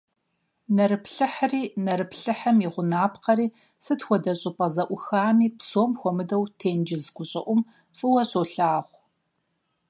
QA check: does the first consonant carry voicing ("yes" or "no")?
yes